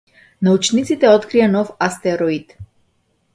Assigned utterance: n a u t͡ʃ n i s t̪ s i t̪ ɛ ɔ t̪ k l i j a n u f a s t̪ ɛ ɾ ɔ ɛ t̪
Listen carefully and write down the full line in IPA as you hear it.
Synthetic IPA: n a u t͡ʃ n i t̪ s i t̪ ɛ ɔ t̪ k ɾ i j a n ɔ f a s t̪ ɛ ɾ ɔ i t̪